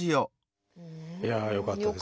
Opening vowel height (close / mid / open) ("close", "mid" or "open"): close